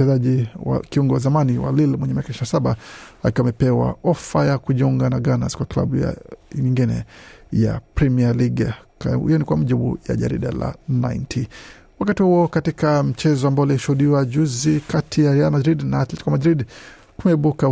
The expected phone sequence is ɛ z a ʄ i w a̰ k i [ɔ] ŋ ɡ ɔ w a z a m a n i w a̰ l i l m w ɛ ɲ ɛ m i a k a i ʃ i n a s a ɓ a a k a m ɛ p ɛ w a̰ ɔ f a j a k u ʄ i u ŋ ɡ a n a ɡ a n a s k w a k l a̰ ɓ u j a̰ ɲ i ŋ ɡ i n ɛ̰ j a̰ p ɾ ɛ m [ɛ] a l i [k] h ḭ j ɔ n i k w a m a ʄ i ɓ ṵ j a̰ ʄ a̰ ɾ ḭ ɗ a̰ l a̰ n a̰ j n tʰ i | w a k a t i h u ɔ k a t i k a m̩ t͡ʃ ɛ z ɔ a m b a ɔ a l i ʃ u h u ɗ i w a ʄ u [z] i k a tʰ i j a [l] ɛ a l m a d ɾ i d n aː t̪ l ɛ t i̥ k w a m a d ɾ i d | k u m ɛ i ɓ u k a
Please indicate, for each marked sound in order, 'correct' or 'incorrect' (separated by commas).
incorrect, incorrect, incorrect, correct, incorrect